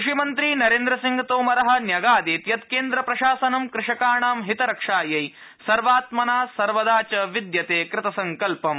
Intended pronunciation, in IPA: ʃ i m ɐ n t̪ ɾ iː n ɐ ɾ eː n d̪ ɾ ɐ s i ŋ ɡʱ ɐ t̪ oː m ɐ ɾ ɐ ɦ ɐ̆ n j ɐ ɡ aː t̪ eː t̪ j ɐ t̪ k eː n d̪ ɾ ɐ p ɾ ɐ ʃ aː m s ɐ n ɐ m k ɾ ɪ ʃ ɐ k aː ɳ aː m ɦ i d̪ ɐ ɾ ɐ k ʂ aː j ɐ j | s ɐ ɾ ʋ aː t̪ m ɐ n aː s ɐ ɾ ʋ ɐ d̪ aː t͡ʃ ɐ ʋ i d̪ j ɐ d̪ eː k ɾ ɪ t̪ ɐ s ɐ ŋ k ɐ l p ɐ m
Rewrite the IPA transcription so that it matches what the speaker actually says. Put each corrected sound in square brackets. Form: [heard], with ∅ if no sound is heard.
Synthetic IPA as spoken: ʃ i m ɐ n t̪ ɾ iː n ɐ ɾ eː n d̪ ɾ ɐ s i ŋ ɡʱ ɐ t̪ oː m ɐ ɾ ɐ ɦ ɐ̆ n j ɐ ɡ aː [d̪] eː t̪ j ɐ t̪ k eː n d̪ ɾ ɐ p ɾ ɐ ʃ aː [∅] s ɐ n ɐ m k ɾ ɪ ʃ ɐ k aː ɳ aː m ɦ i [t̪] ɐ ɾ ɐ k ʂ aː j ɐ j | s ɐ ɾ ʋ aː t̪ m ɐ n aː s ɐ ɾ ʋ ɐ d̪ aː t͡ʃ ɐ ʋ i d̪ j ɐ [t̪] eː k ɾ ɪ t̪ ɐ s ɐ ŋ k ɐ l p ɐ m